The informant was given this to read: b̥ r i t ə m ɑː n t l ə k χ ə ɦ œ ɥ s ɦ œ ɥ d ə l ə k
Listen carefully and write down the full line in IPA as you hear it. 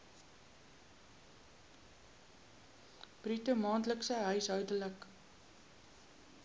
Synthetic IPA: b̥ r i t ə m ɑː n t l ə k s ə ɦ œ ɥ s ɦ œ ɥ d ə l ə k